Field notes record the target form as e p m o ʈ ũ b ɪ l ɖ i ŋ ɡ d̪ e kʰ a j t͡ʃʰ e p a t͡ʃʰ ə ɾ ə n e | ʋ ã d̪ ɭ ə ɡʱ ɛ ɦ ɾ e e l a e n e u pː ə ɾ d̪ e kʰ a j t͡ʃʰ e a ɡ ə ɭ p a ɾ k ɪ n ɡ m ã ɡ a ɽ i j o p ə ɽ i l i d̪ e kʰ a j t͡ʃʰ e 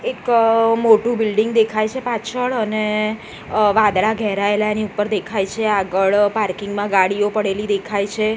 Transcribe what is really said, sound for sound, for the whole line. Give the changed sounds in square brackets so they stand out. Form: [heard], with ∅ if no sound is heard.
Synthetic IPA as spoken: e [k] m o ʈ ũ b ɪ l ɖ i ŋ ɡ d̪ e kʰ a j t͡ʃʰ e p a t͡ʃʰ ə [ɭ] ə n e | ʋ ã d̪ ɭ [a] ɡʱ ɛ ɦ ɾ [a] e l a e n [i] u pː ə ɾ d̪ e kʰ a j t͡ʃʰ e a ɡ ə ɭ p a ɾ k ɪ [ŋ] ɡ m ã ɡ a ɽ i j o p ə ɽ [e] l i d̪ e kʰ a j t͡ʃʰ e